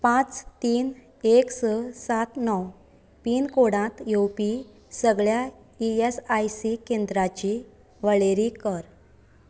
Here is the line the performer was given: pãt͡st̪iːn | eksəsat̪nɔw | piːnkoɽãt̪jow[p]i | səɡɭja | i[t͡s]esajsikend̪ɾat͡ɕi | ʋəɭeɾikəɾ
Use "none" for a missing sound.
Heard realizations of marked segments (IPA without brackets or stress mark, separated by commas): p, none